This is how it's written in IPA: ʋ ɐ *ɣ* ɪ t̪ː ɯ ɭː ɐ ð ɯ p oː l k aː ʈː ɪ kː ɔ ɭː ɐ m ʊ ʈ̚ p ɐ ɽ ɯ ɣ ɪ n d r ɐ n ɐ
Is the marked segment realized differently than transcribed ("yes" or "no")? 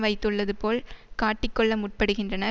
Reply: yes